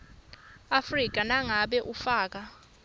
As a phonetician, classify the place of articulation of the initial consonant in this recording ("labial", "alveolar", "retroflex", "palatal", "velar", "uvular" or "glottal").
labial